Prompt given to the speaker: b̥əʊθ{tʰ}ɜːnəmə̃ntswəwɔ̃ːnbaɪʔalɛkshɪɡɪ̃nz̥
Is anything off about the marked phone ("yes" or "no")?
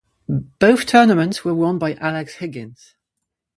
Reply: no